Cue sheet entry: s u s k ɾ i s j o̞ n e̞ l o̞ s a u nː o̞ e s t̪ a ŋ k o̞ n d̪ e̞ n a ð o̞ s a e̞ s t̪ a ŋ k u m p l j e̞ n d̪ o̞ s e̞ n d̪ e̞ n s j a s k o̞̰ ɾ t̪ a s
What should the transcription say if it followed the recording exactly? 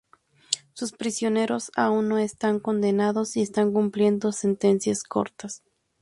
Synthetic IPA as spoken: s u s p ɾ i s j o̞ n e̞ ɾ o̞ s a u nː o̞ e s t̪ a ŋ k o̞ n d̪ e̞ n a ð o̞ s i e̞ s t̪ a ŋ k u m p l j e̞ n d̪ o̞ s e̞ n t̪ e̞ n s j a s k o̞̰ ɾ t̪ a s